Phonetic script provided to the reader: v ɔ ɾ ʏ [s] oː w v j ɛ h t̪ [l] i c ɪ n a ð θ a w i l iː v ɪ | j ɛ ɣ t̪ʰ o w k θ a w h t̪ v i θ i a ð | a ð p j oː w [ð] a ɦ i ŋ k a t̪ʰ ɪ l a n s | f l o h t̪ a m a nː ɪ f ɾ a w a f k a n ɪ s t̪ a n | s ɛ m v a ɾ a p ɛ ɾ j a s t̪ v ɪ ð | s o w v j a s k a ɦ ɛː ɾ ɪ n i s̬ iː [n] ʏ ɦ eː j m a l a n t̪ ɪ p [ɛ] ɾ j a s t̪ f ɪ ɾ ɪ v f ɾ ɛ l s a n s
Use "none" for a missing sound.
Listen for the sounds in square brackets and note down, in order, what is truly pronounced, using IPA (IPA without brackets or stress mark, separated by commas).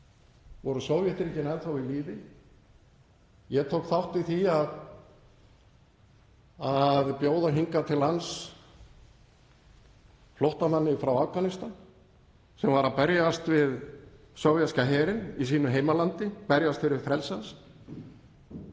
s, ɾ, ð, n, ɛ